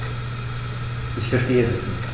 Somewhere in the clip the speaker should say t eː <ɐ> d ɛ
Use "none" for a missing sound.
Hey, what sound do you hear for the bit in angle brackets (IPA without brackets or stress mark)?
ə